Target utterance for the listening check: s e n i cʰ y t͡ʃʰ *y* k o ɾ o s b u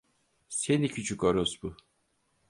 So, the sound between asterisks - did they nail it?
yes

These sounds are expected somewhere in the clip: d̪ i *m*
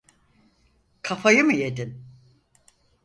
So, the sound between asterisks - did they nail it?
no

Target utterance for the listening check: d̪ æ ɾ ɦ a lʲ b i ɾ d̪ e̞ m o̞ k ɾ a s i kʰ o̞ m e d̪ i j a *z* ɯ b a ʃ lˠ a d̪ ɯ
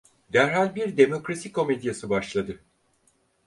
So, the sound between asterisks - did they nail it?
no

